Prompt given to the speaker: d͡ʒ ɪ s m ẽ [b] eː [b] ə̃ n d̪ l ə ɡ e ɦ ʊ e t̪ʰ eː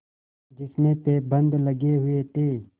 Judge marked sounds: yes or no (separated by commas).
no, yes